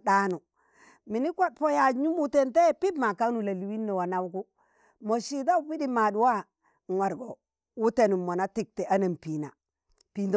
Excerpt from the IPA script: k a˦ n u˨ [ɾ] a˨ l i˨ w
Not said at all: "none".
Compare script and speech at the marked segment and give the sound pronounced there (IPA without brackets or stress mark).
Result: l